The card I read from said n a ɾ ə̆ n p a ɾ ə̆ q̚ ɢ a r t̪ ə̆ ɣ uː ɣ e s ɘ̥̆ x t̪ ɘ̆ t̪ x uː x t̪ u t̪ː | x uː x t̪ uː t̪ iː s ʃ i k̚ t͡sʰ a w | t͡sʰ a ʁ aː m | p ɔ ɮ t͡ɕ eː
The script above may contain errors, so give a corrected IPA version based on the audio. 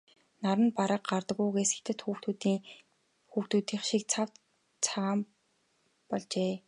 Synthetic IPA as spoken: n a ɾ ə̆ n p a ɾ ə̆ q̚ ɢ a r t̪ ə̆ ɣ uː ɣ e s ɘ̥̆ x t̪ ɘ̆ t̪ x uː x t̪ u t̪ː | x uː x t̪ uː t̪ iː χ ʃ i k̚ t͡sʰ a w | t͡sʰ a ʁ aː m | p ɔ ɮ t͡ɕ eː